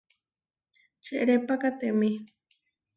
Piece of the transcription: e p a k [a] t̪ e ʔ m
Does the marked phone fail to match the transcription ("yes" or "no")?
no